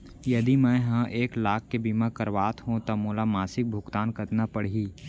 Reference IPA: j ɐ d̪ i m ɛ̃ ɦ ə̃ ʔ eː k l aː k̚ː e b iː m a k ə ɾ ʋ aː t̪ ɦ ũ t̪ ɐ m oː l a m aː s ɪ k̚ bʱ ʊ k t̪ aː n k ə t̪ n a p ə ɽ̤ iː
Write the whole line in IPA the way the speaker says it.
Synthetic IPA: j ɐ d̪ i m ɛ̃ ɦ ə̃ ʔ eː k l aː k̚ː e b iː m a k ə ɾ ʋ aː t̪ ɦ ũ t̪ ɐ m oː l a m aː s ɪ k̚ bʱ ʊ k t̪ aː n k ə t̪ n a p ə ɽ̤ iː

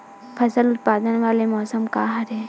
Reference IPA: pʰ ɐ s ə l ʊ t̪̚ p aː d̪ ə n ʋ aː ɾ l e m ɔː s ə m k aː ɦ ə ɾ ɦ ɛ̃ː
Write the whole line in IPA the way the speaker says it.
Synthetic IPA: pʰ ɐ s ə l ʊ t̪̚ p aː d̪ ə n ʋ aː l e m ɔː s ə m k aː ɦ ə ɾ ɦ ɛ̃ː

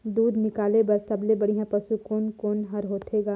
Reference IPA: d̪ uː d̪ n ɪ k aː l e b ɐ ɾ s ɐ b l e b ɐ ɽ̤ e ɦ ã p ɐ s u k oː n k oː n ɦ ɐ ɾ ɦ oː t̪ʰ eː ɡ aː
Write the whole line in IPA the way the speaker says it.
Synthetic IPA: d̪ uː d̪ n ɪ k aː l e b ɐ ɾ s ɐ b l e b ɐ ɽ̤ i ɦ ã p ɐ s u k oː n k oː n ɦ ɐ ɾ ɦ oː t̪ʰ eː ɡ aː

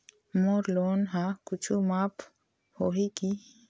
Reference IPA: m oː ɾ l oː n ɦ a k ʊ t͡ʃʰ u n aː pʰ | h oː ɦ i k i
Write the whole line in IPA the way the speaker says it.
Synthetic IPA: m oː ɾ l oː n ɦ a k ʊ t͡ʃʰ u m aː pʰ | h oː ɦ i k i

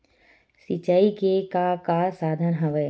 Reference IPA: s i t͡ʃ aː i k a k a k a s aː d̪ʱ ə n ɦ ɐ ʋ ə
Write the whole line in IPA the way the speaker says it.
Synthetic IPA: s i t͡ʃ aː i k e k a k a s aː d̪ʱ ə n ɦ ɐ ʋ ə

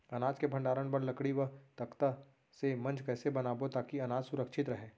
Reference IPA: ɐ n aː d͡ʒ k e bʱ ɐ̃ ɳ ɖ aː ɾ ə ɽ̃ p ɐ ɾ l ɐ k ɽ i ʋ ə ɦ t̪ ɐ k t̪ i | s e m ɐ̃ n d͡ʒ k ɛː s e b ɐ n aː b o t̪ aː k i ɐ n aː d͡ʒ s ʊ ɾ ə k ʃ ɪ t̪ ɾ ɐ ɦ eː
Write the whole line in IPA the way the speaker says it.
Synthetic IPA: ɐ n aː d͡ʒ k e bʱ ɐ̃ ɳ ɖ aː ɾ ə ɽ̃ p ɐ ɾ l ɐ k ɽ i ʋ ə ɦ t̪ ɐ k t̪ a | s e m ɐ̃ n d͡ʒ k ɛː s e b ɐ n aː b o t̪ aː k i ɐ n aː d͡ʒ s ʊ ɾ ə k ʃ ɪ t̪ ɾ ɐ ɦ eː

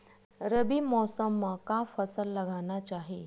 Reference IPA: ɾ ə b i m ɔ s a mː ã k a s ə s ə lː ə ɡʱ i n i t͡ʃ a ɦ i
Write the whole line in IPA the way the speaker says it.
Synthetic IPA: ɾ ə b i m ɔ s ə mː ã k a f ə s ə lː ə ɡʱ a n a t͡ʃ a ɦ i

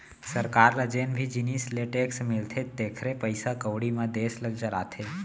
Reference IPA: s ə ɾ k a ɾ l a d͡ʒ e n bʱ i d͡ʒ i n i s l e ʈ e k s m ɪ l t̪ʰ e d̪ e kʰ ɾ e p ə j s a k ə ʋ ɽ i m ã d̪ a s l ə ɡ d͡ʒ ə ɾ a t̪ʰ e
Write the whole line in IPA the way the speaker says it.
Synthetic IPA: s ə ɾ k a ɾ l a d͡ʒ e n bʱ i d͡ʒ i n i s l e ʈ e k s m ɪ l t̪ʰ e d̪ e kʰ ɾ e p ə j s a k ə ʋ ɽ i m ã d̪ e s l ə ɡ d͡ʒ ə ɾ a t̪ʰ e

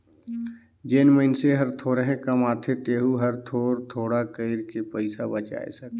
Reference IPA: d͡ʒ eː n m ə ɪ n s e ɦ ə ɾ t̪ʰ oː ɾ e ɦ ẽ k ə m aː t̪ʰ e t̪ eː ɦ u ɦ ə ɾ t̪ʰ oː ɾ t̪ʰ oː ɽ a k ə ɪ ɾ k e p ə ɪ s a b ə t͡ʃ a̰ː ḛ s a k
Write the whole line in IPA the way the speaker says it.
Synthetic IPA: d͡ʒ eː n m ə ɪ n s e ɦ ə ɾ t̪ʰ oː ɾ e ɦ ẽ k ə m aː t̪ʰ e t̪ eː ɦ u ɦ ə ɾ t̪ʰ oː ɾ t̪ʰ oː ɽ a k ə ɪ ɾ k e p ə ɪ s a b ə t͡ʃ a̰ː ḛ s ə k

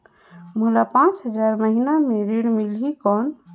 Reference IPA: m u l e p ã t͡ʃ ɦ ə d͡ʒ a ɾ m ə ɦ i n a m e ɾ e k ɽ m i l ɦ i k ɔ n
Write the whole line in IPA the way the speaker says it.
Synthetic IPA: m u l a p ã t͡ʃ ɦ ə d͡ʒ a ɾ m ə ɦ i n a m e ɾ e ɽ m i l ɦ i k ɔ n

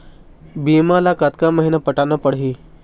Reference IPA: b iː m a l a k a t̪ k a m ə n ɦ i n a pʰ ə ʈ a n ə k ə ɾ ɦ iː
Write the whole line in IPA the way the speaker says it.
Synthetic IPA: b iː m a l a k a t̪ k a m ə ɦ i n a p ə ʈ a n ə p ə ɽ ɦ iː

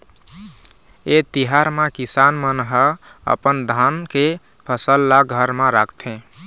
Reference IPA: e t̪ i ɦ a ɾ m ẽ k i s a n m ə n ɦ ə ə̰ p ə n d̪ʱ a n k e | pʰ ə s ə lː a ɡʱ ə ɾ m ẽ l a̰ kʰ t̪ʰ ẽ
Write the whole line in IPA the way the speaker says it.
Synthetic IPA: e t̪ i ɦ a ɾ m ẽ k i s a n m ə n ɦ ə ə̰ p ə n d̪ʱ a n k e | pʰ ə s ə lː a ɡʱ ə ɾ m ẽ ɾ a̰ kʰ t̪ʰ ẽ

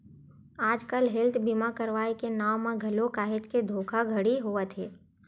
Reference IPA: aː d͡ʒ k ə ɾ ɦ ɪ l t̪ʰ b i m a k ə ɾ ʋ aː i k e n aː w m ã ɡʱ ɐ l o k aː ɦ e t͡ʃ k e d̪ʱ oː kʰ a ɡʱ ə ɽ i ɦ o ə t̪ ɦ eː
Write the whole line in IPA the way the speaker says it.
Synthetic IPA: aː d͡ʒ k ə l ɦ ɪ l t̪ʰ b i m a k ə ɾ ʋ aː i k e n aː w m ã ɡʱ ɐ l o k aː ɦ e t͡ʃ k e d̪ʱ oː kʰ a ɡʱ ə ɽ i ɦ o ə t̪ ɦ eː

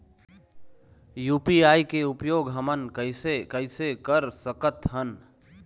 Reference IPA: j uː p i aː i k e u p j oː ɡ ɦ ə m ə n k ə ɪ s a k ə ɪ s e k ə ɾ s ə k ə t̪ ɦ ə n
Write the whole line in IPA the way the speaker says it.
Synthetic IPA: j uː p i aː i k e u p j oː ɡ ɦ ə m ə n k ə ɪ s e k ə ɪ s e k ə ɾ s ə k ə t̪ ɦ ə n

